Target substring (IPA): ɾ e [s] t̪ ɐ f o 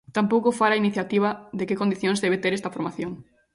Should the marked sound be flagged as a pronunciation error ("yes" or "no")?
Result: no